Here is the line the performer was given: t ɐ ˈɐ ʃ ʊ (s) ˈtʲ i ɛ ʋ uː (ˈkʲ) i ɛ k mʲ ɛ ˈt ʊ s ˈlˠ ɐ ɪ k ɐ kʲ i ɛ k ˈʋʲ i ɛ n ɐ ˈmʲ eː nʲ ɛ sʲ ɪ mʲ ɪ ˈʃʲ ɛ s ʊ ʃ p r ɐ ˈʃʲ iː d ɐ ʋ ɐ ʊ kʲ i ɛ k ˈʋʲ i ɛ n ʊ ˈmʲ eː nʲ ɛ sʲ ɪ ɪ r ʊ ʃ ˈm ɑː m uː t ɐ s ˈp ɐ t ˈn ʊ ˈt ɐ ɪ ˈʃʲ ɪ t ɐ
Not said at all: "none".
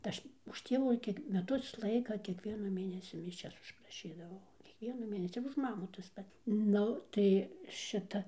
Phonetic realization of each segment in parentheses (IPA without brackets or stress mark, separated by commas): ʃ, kʲ